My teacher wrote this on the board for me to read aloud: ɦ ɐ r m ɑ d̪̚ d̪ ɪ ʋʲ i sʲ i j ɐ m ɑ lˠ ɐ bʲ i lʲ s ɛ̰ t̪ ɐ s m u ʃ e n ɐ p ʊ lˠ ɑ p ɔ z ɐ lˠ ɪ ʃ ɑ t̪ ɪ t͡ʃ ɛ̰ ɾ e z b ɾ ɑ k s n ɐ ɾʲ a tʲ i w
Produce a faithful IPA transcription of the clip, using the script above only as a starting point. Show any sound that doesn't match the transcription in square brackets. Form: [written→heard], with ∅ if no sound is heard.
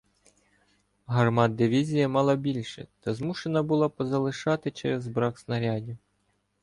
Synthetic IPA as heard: ɦ ɐ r m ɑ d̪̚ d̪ ɪ ʋʲ i [sʲ→zʲ] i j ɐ m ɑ lˠ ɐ bʲ i lʲ [s→ʃ] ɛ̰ t̪ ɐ [s→z] m u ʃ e n ɐ [p→b] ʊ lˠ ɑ p ɔ z ɐ lˠ ɪ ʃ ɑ t̪ ɪ t͡ʃ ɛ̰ ɾ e z b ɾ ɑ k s n ɐ ɾʲ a [tʲ→dʲ] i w

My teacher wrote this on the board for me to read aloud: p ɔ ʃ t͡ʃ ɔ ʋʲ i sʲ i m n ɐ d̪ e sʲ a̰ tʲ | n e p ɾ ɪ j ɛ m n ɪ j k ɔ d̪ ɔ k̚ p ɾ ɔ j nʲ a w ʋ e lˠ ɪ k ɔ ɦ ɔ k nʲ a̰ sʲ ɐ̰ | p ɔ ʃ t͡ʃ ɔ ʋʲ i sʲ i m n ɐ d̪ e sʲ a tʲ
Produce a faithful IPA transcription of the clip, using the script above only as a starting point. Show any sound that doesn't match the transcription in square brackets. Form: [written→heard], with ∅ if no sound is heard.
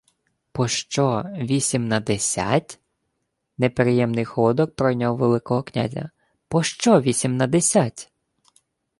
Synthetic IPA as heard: p ɔ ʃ t͡ʃ ɔ ʋʲ i sʲ i m n ɐ d̪ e sʲ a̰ tʲ | n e p ɾ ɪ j ɛ m n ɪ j [k→x] ɔ d̪ ɔ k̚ p ɾ ɔ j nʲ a w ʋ e lˠ ɪ k ɔ ɦ ɔ k nʲ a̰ [sʲ→zʲ] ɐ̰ | p ɔ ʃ t͡ʃ ɔ ʋʲ i sʲ i m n ɐ d̪ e sʲ a tʲ

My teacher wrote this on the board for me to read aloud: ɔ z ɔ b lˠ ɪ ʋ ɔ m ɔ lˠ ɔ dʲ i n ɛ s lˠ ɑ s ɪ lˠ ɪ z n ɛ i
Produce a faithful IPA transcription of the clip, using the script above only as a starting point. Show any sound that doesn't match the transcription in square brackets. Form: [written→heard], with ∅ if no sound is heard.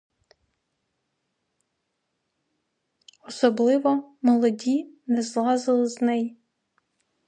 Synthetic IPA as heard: ɔ [z→s] ɔ b lˠ ɪ ʋ ɔ m ɔ lˠ ɔ dʲ i n ɛ [s→z] lˠ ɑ [s→z] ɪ lˠ ɪ z n ɛ [i→j]

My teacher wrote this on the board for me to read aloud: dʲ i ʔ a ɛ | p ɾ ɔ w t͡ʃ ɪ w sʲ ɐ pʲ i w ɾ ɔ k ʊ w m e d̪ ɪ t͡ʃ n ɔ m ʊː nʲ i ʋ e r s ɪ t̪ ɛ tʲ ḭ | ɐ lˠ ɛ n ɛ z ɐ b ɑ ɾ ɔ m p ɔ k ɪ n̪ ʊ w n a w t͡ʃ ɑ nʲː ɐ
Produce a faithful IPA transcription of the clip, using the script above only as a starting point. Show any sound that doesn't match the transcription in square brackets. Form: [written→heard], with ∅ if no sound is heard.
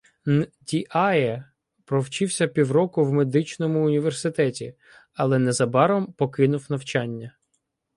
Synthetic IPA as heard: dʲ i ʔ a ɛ | p ɾ ɔ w t͡ʃ ɪ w sʲ ɐ pʲ i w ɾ ɔ k ʊ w m e d̪ ɪ t͡ʃ n ɔ m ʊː nʲ i ʋ e r s ɪ t̪ ɛ tʲ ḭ | ɐ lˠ ɛ n ɛ z ɐ b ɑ ɾ ɔ m p ɔ k ɪ n̪ ʊ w n [a→ɐ] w t͡ʃ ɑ nʲː ɐ

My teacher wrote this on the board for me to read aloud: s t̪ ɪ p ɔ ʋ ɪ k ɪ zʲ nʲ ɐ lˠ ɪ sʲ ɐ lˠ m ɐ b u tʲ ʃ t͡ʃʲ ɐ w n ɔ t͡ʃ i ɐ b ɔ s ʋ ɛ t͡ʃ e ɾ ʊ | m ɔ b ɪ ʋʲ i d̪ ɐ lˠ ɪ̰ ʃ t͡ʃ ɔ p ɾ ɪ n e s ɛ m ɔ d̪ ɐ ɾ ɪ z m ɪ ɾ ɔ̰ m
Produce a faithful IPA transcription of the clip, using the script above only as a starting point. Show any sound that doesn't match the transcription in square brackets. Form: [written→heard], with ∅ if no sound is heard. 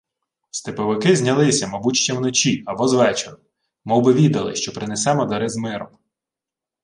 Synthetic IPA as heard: s t̪ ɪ p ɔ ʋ ɪ k ɪ zʲ nʲ ɐ lˠ ɪ sʲ ɐ [lˠ→∅] m ɐ b u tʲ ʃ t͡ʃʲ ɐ w n ɔ t͡ʃ i ɐ b ɔ [s→z] ʋ ɛ t͡ʃ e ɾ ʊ | m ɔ b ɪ ʋʲ i d̪ ɐ lˠ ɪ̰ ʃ t͡ʃ ɔ p ɾ ɪ n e s ɛ m ɔ d̪ ɐ ɾ ɪ z m ɪ ɾ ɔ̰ m

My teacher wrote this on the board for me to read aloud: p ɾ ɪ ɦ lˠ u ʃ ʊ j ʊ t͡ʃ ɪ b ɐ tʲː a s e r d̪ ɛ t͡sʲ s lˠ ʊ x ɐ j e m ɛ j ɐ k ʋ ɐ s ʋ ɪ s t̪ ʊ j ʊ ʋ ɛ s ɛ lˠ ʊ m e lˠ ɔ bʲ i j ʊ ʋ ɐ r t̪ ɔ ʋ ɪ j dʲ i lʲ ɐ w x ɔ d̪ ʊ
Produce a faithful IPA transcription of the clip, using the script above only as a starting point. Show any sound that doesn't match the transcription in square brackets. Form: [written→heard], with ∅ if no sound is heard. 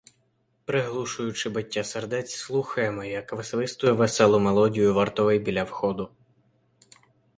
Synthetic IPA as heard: p ɾ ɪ ɦ lˠ u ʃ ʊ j ʊ t͡ʃ ɪ b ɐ tʲː a s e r d̪ ɛ t͡sʲ s lˠ [ʊ→u] x ɐ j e m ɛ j ɐ k ʋ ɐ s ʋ ɪ s t̪ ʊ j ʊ ʋ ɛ s ɛ lˠ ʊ m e lˠ ɔ [bʲ→dʲ] i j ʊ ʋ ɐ r t̪ ɔ ʋ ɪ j [dʲ→bʲ] i lʲ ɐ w x ɔ d̪ ʊ

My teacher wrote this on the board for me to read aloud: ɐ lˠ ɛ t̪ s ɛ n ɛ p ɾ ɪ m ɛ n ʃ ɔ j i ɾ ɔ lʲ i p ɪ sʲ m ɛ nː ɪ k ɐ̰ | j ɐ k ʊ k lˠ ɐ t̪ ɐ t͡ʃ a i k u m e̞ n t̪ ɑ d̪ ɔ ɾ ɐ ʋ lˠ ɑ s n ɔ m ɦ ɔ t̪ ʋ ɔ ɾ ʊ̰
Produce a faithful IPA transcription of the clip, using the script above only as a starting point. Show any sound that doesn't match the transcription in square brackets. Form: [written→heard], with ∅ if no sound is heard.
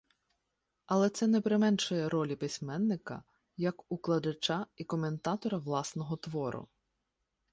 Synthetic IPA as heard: ɐ lˠ ɛ t̪ s ɛ n ɛ p ɾ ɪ m ɛ n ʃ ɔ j [i→ɛ] ɾ ɔ lʲ i p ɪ sʲ m ɛ nː ɪ k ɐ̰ | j ɐ k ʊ k lˠ ɐ [t̪→d̪] ɐ t͡ʃ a i k [u→ɔ] m e̞ n t̪ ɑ [d̪→t̪] ɔ ɾ ɐ ʋ lˠ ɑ s n ɔ [m→∅] ɦ ɔ t̪ ʋ ɔ ɾ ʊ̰

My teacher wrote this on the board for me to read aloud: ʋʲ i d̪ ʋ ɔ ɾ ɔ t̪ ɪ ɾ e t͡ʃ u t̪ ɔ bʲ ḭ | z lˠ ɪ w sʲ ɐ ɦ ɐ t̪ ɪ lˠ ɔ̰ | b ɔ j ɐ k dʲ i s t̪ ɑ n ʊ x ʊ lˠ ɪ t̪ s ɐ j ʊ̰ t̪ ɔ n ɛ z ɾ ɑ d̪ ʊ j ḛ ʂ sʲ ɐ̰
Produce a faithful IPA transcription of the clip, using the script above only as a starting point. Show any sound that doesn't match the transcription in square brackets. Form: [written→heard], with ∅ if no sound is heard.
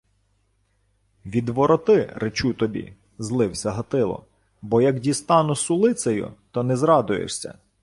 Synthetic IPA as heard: ʋʲ i d̪ ʋ ɔ ɾ ɔ t̪ ɪ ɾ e t͡ʃ u t̪ ɔ bʲ ḭ | z lˠ ɪ w sʲ ɐ ɦ ɐ t̪ ɪ lˠ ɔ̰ | b ɔ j ɐ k dʲ i s t̪ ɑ n ʊ [x→s] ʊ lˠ ɪ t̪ s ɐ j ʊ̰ t̪ ɔ n ɛ z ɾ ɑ d̪ ʊ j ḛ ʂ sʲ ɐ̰

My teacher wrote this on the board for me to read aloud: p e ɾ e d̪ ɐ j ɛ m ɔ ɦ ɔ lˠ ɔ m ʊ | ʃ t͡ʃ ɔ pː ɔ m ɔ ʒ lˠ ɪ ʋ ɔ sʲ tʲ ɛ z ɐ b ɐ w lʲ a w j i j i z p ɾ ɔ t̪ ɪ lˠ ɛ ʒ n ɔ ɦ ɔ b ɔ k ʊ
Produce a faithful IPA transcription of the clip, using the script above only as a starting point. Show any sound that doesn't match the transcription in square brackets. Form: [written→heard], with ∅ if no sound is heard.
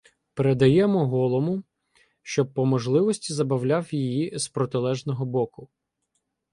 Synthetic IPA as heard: p e ɾ e d̪ ɐ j ɛ m ɔ ɦ ɔ lˠ ɔ m ʊ | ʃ t͡ʃ ɔ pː ɔ m ɔ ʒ lˠ ɪ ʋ ɔ sʲ tʲ [ɛ→i] z ɐ b ɐ w lʲ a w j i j i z p ɾ ɔ t̪ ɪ lˠ ɛ ʒ n ɔ ɦ ɔ b ɔ k ʊ

